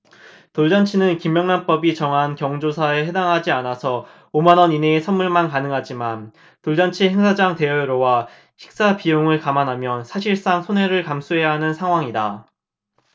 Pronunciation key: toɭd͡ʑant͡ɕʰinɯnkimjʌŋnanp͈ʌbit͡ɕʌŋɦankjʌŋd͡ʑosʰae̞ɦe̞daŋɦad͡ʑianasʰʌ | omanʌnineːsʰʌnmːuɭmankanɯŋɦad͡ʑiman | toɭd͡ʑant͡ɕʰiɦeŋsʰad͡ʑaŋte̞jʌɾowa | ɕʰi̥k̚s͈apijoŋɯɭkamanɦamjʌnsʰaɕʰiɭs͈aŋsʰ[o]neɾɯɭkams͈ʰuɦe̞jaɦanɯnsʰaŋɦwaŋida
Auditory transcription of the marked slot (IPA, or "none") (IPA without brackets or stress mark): o